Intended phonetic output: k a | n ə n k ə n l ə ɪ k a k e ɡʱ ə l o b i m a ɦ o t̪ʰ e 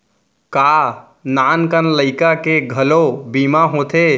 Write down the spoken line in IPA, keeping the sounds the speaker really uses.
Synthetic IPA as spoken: k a | n a n k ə n l ə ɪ k a k e ɡʱ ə l o b i m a ɦ o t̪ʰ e